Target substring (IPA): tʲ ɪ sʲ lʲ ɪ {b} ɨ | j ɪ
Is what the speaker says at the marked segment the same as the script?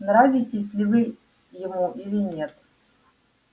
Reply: no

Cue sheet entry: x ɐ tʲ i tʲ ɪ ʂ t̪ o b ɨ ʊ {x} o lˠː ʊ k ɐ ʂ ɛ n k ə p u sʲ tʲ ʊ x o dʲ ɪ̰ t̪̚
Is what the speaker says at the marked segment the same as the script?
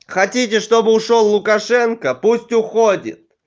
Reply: no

